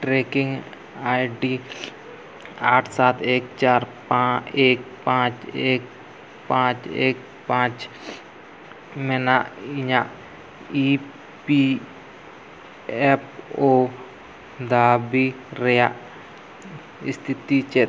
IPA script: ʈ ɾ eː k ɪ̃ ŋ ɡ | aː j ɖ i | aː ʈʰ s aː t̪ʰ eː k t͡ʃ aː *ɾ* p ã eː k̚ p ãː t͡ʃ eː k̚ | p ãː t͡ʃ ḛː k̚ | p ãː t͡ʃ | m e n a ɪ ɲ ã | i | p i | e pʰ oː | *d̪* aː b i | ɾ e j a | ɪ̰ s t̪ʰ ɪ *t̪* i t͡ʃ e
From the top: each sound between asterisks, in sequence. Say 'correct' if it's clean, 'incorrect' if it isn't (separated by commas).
correct, correct, correct